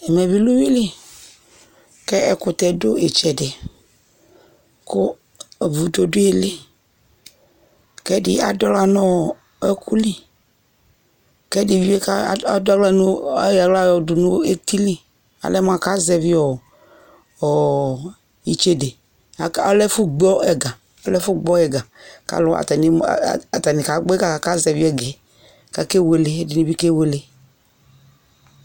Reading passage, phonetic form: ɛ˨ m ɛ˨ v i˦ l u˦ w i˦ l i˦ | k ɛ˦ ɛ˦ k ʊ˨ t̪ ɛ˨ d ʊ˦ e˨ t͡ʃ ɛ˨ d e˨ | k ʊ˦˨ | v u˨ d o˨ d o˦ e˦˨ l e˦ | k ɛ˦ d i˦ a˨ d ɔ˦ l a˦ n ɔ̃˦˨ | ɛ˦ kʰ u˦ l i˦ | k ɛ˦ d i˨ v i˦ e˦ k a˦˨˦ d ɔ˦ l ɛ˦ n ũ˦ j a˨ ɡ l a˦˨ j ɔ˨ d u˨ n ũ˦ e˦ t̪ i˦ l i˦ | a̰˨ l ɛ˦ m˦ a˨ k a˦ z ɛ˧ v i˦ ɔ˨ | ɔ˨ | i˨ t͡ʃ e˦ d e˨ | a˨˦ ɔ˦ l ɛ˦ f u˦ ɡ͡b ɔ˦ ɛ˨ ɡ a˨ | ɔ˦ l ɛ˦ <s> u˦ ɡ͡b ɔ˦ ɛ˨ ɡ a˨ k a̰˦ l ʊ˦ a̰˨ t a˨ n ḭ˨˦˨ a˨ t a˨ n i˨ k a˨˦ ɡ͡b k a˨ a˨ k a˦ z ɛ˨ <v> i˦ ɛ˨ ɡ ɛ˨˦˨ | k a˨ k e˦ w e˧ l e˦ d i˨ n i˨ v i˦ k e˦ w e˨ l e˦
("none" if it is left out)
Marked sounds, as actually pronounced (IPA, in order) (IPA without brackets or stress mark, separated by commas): f, v